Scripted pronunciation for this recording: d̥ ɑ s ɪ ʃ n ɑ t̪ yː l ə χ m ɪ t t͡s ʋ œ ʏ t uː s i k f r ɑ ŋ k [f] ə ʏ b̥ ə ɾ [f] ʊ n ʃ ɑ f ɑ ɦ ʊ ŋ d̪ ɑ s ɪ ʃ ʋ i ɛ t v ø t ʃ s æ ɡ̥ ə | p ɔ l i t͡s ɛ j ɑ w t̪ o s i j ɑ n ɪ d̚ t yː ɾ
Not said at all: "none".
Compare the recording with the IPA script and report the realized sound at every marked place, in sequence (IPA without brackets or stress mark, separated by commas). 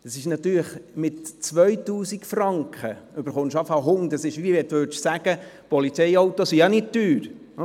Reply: χ, χ